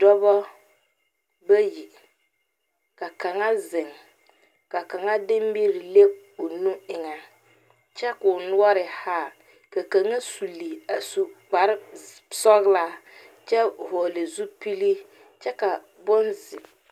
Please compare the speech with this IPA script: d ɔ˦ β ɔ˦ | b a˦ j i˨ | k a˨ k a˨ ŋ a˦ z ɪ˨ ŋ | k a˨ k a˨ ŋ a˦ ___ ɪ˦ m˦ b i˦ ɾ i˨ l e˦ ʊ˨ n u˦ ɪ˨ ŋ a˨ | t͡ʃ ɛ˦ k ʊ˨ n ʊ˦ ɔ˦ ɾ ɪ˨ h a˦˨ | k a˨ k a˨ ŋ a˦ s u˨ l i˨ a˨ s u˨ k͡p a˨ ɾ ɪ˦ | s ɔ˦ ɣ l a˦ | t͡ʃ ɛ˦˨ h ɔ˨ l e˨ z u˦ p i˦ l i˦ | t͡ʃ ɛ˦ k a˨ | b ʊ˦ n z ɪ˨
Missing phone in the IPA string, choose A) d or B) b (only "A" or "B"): A